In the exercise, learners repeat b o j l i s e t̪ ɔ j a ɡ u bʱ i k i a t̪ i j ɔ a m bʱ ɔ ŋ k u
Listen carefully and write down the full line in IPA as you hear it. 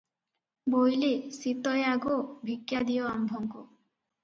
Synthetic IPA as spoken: b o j l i s i t̪ ɔ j a ɡ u bʱ i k j a d̪ i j ɔ a m bʱ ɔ ŋ k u